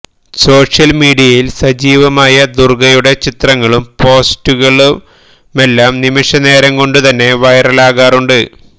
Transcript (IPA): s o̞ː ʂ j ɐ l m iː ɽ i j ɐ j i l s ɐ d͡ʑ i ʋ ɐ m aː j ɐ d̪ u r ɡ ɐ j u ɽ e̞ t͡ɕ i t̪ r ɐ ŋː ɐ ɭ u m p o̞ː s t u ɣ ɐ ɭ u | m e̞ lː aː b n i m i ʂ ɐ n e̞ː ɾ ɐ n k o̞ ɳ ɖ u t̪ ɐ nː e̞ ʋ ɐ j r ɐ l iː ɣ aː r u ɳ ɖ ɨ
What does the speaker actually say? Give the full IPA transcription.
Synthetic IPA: s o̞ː ʂ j ɐ l m iː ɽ i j ɐ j i l s ɐ d͡ʑ iː ʋ ɐ m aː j ɐ d̪ u r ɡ ɐ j u ɽ e̞ t͡ɕ i t̪ r ɐ ŋː ɐ ɭ u m p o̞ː s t u ɣ ɐ ɭ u | m e̞ lː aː m n i m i ʂ ɐ n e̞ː ɾ ɐ ŋ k o̞ ɳ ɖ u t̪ ɐ nː e̞ ʋ ɐ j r ɐ l aː ɣ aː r u ɳ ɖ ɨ

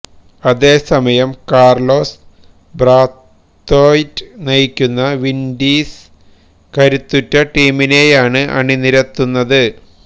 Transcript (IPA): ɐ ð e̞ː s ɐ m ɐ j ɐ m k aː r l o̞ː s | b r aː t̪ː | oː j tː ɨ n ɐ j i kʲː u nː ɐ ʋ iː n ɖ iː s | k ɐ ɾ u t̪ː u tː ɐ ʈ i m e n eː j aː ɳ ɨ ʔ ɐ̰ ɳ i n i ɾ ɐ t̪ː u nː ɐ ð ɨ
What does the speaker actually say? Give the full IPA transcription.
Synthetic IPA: ɐ ð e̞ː s ɐ m ɐ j ɐ m k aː r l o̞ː s | b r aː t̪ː | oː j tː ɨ n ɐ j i kʲː u nː ɐ ʋ i n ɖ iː s | k ɐ ɾ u t̪ː u tː ɐ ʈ iː m i n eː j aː ɳ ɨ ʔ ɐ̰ ɳ i n i ɾ ɐ t̪ː u nː ɐ ð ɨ

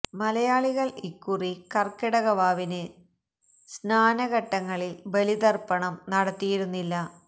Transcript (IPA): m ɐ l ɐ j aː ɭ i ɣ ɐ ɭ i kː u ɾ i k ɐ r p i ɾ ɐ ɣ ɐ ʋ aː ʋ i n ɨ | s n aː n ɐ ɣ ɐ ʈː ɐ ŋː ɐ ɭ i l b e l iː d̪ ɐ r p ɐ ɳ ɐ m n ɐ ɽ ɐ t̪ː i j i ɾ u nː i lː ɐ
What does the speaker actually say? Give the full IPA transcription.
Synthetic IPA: m ɐ l ɐ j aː ɭ i ɣ ɐ ɭ i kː u r i k ɐ r k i ɽ ɐ ɣ ɐ ʋ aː ʋ i n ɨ | s n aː n ɐ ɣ ɐ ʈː ɐ ŋː ɐ ɭ i l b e l i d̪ ɐ r p ɐ ɳ ɐ m n ɐ ɽ ɐ t̪ː i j i ɾ u nː i lː ɐ

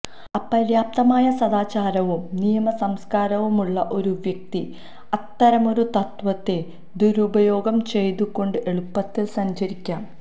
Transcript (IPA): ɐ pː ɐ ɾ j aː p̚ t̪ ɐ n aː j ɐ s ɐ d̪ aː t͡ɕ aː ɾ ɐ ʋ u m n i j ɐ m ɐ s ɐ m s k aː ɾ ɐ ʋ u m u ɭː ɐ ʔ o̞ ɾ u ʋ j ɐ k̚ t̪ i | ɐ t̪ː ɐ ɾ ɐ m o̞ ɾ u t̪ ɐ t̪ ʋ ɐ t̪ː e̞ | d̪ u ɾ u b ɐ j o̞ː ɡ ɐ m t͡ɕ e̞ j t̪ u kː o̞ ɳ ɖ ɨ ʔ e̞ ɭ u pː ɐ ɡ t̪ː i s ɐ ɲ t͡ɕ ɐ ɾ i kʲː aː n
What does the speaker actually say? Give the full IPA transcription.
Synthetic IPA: ɐ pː ɐ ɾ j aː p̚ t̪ ɐ m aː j ɐ s ɐ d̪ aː t͡ɕ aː ɾ ɐ ʋ u m n i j ɐ m ɐ s ɐ m s k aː ɾ ɐ ʋ u m u ɭː ɐ ʔ o̞ ɾ u ʋ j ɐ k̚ t̪ i | ɐ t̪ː ɐ ɾ ɐ m o̞ ɾ u t̪ ɐ t̪ ʋ ɐ t̪ː e̞ | d̪ u ɾ u b ɐ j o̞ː ɡ ɐ m t͡ɕ e̞ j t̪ u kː o̞ ɳ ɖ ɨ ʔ e̞ ɭ u pː ɐ t̪ː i s ɐ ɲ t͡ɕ ɐ ɾ i kʲː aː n

